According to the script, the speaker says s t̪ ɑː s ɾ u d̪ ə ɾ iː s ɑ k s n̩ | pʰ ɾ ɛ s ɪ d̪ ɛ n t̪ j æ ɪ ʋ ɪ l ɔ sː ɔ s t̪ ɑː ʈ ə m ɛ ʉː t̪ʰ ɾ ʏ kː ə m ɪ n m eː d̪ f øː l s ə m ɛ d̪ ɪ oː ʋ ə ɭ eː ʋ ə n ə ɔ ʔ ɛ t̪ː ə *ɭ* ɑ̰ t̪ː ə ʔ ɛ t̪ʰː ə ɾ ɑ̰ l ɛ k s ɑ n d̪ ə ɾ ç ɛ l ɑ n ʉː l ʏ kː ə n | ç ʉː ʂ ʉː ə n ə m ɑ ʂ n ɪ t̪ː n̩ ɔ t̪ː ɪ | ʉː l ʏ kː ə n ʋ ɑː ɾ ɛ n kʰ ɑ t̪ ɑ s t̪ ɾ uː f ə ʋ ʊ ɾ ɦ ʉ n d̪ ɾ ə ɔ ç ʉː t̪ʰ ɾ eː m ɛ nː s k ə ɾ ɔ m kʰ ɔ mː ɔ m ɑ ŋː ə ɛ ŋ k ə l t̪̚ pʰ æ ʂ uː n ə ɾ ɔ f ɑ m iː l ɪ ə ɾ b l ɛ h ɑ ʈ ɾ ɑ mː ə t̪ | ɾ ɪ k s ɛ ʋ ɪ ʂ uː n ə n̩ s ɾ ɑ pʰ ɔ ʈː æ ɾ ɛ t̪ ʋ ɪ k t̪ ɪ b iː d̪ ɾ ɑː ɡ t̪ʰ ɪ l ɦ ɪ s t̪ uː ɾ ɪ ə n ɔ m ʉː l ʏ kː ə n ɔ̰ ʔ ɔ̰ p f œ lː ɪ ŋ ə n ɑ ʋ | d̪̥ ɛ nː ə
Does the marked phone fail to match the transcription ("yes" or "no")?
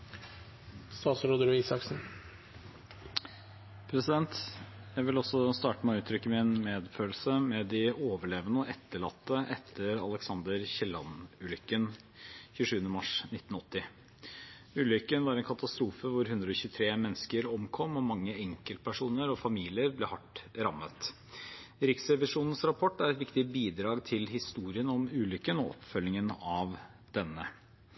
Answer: no